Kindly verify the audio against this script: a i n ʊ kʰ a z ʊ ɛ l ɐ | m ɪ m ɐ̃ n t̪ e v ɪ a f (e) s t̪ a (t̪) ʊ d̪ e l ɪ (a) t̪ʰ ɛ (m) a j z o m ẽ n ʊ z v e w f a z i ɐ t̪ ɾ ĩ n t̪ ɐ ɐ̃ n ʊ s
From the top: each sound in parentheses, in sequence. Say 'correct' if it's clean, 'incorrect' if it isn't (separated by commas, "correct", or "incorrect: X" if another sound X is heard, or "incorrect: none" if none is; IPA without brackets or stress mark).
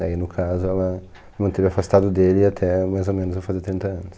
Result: incorrect: a, incorrect: d̪, correct, correct